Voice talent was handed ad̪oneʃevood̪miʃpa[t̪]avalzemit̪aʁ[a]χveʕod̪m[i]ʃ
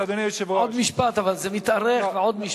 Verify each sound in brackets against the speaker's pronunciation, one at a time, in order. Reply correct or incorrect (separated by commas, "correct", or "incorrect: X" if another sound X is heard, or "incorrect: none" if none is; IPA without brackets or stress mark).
correct, incorrect: e, correct